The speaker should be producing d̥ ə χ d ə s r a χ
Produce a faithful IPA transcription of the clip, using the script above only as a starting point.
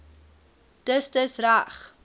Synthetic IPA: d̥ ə s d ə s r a χ